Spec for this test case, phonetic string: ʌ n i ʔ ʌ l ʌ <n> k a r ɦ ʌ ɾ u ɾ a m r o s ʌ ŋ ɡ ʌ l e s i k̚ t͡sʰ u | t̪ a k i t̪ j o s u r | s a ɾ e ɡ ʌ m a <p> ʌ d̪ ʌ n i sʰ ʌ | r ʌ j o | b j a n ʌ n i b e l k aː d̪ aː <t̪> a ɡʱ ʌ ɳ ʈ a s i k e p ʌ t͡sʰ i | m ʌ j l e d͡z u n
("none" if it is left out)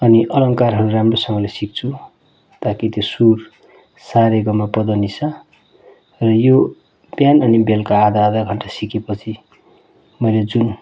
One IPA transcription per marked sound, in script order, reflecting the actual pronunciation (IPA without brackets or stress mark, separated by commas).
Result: ŋ, p, d̪